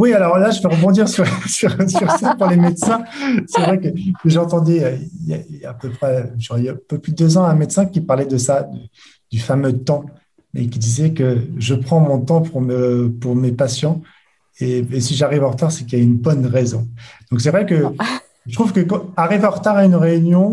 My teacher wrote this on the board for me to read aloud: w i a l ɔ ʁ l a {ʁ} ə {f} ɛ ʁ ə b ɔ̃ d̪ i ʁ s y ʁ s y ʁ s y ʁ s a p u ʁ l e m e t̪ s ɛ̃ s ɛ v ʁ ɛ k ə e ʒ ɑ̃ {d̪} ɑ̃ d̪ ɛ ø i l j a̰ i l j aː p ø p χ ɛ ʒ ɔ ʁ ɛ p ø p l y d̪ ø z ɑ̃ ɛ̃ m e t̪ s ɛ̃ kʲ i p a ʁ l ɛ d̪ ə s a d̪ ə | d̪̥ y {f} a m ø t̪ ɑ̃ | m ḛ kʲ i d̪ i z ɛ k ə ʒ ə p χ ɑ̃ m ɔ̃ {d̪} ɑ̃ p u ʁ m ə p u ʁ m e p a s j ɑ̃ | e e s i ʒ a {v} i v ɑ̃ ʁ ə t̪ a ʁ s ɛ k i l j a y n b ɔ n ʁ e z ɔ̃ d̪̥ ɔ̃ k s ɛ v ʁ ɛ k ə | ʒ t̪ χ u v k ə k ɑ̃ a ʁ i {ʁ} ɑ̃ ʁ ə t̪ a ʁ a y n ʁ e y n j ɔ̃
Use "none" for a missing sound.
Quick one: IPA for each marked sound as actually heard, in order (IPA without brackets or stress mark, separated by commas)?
ʒ, v, t̪, f, t̪, ʁ, v